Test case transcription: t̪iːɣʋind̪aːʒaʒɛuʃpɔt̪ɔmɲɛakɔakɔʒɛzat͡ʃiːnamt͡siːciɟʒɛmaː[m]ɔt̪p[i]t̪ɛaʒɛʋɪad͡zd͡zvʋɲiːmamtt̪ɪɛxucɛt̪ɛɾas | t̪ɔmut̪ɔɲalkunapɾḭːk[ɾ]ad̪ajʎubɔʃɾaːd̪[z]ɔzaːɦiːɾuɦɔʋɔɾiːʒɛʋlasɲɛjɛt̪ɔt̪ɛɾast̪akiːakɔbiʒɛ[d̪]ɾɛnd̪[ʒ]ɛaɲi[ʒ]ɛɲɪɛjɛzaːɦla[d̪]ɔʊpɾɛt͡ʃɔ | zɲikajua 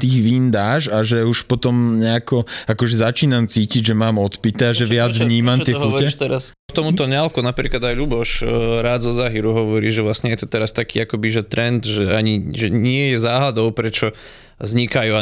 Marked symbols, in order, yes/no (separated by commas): yes, yes, no, yes, no, yes, yes, yes